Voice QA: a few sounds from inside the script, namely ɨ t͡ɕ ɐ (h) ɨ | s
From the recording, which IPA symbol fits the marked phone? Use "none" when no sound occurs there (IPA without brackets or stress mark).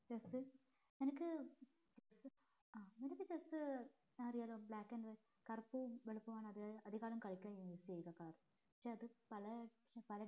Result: s